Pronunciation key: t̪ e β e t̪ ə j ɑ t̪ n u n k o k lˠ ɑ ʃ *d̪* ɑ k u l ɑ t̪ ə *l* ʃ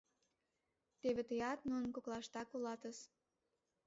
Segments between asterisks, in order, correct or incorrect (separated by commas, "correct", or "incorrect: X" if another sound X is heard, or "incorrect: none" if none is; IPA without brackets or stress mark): incorrect: t̪, incorrect: none